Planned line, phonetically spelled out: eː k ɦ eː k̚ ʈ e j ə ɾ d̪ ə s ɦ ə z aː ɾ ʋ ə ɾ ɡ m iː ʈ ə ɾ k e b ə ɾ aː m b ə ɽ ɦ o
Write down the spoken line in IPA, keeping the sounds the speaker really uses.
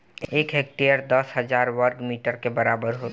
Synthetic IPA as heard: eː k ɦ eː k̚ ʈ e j ə ɾ d̪ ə s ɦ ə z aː ɾ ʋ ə ɾ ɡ m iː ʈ ə ɾ k e b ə ɾ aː b ə ɾ ɦ o